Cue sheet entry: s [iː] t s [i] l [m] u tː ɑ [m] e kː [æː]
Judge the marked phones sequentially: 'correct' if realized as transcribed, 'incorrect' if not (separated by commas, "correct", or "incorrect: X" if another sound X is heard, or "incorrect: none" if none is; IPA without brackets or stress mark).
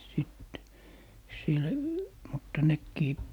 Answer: incorrect: i, correct, correct, incorrect: n, incorrect: iː